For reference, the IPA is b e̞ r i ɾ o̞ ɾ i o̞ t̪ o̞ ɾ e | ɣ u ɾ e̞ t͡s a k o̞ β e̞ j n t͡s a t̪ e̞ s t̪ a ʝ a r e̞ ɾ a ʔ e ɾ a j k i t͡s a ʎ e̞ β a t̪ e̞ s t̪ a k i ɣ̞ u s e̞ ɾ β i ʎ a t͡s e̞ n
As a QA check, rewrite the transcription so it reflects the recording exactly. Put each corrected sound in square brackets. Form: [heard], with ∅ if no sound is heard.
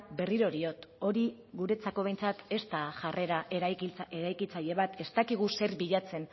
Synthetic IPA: b e̞ r i ɾ o̞ ɾ i o̞ t̪ o̞ ɾ [i] | ɣ u ɾ e̞ t͡s a k o̞ β e̞ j n t͡s a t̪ e̞ s t̪ a ʝ a r e̞ ɾ a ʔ e ɾ a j k i t͡s a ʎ e̞ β a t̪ e̞ s t̪ a k i ɣ̞ u s e̞ ɾ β i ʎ a t͡s e̞ n